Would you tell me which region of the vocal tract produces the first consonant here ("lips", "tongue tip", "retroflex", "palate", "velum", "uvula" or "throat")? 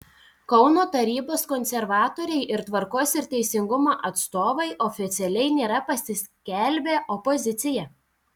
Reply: velum